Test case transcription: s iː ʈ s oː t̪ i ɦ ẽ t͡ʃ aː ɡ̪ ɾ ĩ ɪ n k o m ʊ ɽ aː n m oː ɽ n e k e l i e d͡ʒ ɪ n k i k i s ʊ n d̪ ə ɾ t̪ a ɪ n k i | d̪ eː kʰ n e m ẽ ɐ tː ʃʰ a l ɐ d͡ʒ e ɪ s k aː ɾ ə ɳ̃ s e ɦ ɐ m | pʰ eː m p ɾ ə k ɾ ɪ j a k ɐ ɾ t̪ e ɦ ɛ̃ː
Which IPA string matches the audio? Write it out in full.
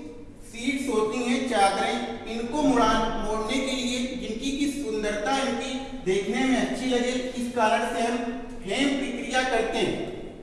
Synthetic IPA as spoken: s iː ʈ s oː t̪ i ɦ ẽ t͡ʃ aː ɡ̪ ɾ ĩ ɪ n k o m ʊ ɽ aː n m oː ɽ n e k e l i e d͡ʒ ɪ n k i k i s ʊ n d̪ ə ɾ t̪ a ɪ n k i | d̪ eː kʰ n e m ẽ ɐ tː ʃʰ i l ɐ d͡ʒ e ɪ s k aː ɾ ə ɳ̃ s e ɦ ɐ m | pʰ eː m p ɾ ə k ɾ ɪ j a k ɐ ɾ t̪ e ɦ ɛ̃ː